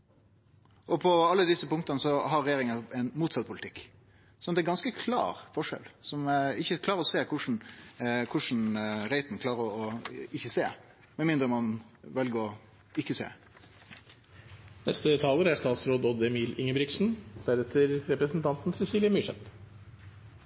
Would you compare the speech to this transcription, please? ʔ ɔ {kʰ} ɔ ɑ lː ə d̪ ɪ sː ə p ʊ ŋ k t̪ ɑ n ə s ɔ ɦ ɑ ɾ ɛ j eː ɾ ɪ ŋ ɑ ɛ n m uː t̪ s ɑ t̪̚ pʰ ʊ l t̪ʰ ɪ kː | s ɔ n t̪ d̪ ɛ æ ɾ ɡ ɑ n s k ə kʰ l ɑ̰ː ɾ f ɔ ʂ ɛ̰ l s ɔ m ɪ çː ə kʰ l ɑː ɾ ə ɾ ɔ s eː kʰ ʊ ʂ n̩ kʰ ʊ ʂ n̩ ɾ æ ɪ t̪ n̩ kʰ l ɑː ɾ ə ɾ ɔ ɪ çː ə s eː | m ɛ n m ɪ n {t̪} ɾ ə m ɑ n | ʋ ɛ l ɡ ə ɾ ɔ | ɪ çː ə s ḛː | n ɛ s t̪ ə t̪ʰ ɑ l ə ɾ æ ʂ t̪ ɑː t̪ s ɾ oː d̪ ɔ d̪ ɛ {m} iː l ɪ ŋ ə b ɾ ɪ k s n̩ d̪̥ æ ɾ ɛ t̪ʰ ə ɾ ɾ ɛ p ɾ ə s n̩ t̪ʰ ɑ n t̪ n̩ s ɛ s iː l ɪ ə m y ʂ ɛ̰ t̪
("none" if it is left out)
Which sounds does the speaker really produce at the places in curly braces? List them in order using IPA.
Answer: pʰ, d̪, m

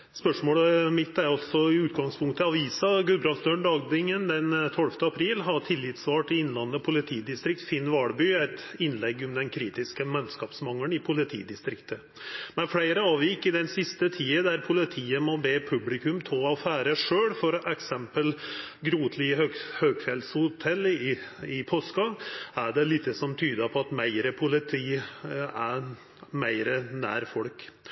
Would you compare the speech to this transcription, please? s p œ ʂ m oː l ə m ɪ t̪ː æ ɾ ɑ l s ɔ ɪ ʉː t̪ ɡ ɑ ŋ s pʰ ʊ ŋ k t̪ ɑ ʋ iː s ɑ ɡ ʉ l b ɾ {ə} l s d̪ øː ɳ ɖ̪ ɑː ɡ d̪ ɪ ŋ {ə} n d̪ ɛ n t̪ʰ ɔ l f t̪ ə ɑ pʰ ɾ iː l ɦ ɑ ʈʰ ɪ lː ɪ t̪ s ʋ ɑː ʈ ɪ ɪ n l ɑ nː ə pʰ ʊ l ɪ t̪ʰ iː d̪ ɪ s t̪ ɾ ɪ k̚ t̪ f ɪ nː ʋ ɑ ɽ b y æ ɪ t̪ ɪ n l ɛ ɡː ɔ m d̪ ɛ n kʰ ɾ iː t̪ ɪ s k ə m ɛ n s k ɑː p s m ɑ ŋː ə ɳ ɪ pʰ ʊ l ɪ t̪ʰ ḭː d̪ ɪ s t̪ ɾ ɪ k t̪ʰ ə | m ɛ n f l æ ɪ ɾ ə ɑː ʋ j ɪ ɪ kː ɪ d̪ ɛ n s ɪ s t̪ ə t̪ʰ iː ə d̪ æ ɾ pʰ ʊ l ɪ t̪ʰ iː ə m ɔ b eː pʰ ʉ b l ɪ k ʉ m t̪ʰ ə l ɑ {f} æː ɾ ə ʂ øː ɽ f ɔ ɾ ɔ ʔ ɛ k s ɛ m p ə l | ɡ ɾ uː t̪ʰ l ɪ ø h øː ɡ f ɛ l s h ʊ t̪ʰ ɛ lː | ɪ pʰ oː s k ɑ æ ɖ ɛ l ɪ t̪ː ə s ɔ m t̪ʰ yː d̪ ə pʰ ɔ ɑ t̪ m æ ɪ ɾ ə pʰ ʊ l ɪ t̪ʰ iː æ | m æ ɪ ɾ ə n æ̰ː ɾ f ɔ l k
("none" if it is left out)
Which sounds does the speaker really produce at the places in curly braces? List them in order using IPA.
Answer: ɑ, ə, f

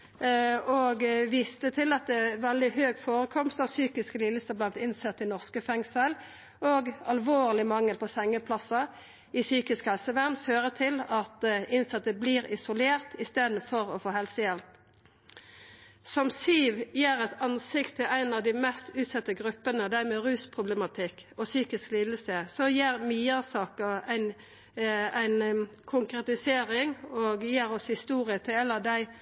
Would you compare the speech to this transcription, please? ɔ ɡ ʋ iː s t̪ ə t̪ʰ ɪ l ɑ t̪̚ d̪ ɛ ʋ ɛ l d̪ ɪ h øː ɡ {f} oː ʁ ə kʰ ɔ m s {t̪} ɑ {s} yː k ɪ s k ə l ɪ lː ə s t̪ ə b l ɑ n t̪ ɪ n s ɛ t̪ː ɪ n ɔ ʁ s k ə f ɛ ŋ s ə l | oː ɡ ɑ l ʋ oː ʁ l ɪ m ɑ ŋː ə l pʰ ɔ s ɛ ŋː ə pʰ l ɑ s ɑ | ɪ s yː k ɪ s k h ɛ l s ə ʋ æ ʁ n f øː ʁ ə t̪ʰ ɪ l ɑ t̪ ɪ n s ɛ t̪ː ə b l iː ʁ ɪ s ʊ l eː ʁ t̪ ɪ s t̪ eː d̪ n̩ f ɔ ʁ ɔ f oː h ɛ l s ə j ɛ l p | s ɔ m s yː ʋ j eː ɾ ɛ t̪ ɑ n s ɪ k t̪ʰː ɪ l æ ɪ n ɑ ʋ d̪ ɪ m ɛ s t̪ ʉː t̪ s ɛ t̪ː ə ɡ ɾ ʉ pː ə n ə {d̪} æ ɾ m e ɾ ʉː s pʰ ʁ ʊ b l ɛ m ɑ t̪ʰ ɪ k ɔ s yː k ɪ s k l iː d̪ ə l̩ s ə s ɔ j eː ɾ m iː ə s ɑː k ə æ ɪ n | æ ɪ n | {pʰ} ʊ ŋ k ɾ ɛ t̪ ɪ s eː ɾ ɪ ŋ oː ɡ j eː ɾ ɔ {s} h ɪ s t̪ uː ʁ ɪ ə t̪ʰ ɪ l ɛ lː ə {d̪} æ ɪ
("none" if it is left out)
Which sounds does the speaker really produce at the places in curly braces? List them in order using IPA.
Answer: f, t̪, s, d̪, kʰ, s, d̪

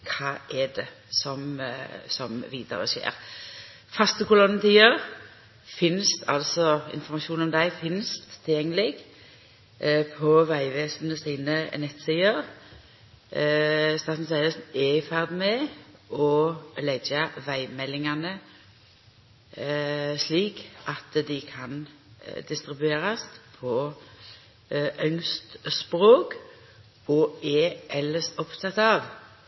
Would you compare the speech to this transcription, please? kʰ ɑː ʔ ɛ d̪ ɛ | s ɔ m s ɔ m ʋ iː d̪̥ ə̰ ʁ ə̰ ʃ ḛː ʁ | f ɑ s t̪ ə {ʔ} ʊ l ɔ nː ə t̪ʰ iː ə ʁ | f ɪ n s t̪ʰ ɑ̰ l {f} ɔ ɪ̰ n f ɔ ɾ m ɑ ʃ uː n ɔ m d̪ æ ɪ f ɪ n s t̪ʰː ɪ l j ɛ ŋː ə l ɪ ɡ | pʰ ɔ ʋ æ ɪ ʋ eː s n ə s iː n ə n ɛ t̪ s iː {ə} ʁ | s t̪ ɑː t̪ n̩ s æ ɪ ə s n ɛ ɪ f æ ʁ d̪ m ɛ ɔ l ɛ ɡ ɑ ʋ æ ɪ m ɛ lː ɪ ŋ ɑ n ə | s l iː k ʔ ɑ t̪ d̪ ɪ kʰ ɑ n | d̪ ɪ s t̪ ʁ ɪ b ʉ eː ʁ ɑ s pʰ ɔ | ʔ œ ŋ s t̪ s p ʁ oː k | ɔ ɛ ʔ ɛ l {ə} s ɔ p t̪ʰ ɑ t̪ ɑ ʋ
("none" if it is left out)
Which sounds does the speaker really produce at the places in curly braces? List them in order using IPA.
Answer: k, s, ə, ə

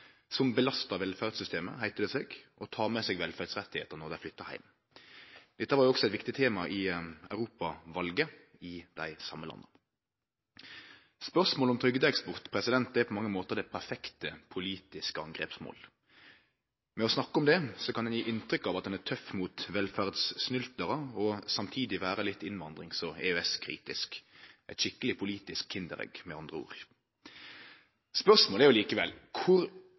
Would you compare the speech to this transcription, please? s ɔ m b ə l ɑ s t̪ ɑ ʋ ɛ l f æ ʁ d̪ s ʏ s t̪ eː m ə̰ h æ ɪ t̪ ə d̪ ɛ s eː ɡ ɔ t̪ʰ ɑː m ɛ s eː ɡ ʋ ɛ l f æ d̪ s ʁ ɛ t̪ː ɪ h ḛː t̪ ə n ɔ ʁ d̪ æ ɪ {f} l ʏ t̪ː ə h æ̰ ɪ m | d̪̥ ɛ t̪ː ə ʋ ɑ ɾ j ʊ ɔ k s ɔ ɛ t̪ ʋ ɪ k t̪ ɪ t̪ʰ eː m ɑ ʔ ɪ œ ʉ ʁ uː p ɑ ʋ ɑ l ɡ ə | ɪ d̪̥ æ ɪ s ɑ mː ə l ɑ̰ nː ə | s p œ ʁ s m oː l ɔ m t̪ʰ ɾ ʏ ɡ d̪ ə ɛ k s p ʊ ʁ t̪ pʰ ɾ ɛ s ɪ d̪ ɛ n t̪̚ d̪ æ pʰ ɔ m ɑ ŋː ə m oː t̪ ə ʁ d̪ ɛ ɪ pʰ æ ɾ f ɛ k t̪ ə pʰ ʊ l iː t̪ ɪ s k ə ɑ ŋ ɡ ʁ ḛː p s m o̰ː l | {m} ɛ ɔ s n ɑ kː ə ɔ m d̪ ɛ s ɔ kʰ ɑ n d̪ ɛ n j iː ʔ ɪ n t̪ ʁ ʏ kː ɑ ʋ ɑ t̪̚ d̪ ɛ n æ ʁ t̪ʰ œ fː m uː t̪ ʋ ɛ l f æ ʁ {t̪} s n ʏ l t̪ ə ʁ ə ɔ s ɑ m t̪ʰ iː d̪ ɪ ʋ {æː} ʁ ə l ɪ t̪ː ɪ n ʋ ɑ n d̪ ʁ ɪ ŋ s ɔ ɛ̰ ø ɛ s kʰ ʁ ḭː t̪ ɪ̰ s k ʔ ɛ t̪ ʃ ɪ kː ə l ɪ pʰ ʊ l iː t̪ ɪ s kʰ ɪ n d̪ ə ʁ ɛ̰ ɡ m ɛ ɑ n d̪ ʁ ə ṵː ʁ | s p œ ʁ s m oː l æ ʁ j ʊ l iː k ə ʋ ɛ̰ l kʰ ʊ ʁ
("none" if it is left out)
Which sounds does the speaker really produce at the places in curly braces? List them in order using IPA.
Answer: f, m, d̪, æː

